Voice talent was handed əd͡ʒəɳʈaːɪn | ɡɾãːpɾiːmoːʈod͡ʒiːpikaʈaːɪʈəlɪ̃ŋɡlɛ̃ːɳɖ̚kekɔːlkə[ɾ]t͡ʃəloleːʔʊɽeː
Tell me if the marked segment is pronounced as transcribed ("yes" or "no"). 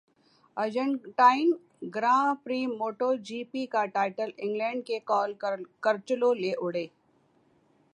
yes